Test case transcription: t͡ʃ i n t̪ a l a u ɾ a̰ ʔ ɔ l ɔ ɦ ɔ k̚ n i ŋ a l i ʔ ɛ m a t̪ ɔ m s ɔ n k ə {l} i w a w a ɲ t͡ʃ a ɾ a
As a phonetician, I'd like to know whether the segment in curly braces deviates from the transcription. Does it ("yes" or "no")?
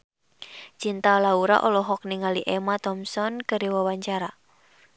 yes